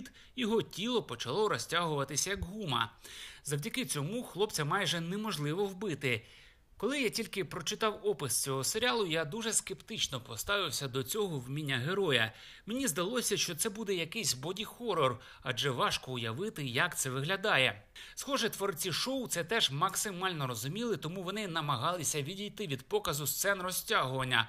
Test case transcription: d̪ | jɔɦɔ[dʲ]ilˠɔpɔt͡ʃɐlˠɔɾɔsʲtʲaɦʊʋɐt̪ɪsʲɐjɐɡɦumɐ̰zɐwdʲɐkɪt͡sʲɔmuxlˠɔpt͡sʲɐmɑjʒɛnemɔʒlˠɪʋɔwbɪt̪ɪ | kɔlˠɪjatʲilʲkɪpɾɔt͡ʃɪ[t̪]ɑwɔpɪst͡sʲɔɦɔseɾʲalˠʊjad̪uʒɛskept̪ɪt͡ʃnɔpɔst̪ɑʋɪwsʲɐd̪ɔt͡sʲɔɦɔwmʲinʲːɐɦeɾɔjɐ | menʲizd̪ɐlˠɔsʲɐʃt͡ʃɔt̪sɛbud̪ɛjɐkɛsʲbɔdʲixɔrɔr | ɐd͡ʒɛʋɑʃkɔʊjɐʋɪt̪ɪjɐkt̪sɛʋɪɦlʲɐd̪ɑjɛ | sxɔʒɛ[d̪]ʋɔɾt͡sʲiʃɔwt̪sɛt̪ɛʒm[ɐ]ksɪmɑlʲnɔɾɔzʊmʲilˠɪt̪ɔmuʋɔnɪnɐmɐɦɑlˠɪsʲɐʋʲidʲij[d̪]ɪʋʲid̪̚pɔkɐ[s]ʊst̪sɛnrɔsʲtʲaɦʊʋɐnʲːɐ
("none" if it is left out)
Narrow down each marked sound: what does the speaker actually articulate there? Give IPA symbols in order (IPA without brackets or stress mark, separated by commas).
tʲ, t̪, t̪, ɐ, t̪, z